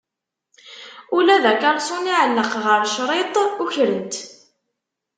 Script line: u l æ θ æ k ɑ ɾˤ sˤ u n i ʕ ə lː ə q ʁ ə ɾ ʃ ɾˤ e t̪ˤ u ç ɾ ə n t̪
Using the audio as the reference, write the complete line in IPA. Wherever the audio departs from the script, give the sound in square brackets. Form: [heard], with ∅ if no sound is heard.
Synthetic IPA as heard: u l æ [ð] æ k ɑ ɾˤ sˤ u n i ʕ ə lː ə q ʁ ə ɾ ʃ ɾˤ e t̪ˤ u ç ɾ ə n t̪